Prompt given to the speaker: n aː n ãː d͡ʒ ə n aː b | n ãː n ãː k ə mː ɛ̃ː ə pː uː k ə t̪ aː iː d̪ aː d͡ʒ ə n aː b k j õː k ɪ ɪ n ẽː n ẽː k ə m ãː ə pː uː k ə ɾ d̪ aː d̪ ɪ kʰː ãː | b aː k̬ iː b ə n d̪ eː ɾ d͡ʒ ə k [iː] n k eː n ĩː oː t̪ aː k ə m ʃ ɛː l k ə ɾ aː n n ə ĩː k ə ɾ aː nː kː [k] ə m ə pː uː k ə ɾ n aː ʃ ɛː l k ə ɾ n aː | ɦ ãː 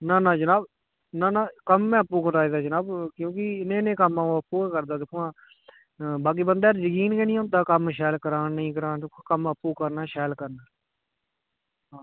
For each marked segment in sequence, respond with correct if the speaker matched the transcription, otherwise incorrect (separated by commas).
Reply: correct, correct